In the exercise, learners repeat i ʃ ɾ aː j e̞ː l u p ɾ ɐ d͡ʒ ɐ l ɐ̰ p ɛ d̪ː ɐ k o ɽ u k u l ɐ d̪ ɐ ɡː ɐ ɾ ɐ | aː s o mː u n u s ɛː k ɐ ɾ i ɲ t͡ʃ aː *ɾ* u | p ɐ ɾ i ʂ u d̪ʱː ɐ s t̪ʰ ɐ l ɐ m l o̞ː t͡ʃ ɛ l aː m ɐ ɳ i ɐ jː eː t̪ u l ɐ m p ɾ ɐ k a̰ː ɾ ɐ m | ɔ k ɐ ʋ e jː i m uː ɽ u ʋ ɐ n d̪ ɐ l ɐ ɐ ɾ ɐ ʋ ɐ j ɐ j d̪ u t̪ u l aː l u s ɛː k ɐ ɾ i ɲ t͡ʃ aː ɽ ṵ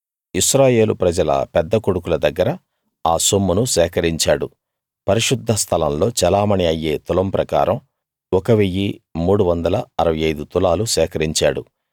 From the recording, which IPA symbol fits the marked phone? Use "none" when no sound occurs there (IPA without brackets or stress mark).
ɽ